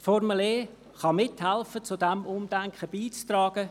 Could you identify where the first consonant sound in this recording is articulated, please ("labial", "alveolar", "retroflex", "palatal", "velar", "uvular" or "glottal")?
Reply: labial